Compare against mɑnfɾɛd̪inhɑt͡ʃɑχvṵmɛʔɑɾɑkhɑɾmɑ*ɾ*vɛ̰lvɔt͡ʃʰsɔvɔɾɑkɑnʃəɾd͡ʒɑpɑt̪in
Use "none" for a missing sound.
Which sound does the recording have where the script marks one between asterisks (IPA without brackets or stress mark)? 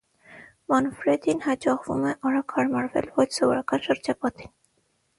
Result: ɾ